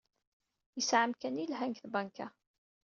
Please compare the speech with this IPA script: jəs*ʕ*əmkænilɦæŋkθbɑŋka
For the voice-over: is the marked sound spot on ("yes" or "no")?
yes